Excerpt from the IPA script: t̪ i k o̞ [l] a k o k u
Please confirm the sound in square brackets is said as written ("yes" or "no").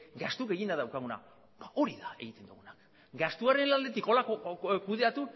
yes